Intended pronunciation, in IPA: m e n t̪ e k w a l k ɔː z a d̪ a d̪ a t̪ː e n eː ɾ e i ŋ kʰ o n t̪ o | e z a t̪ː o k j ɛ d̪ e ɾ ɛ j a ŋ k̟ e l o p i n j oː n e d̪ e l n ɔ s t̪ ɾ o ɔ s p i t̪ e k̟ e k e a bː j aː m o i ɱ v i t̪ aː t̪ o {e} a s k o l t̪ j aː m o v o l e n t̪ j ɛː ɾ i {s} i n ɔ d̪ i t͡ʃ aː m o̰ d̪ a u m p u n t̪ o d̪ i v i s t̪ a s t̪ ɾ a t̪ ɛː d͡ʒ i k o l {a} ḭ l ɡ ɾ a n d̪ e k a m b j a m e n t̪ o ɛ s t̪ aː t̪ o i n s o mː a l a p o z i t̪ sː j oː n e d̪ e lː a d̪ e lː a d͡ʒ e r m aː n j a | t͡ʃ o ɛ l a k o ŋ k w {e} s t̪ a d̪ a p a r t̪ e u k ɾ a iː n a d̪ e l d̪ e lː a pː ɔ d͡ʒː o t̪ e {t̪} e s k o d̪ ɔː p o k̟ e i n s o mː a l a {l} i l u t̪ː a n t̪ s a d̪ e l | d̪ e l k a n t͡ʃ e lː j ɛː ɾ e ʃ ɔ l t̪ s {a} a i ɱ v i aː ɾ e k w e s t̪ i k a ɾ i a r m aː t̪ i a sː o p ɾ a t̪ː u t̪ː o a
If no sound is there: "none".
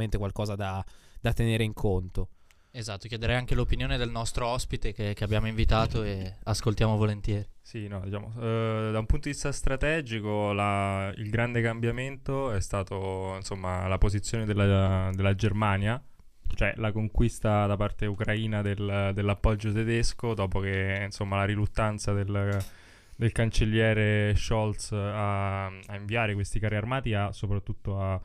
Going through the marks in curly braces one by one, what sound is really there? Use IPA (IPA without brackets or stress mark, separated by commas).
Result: e, s, a, i, d̪, ɾ, a